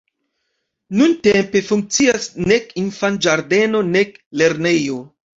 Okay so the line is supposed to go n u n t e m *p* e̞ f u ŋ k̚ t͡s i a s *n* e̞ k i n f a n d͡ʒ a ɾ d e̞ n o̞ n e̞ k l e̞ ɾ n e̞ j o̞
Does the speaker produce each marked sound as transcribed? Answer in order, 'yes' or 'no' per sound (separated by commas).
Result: yes, yes